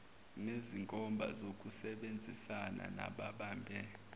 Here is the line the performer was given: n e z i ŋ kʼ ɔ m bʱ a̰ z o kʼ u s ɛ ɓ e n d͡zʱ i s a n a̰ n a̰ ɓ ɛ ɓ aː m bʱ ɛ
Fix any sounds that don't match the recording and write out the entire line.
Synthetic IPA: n e z i ŋ kʼ ɔ m bʱ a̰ z o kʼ u s ɛ ɓ e n d͡zʱ i s a n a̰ n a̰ ɓ a ɓ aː m bʱ ɛ